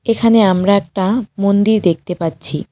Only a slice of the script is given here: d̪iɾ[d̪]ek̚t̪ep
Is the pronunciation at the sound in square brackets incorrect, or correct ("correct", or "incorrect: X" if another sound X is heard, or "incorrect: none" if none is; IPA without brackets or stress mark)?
correct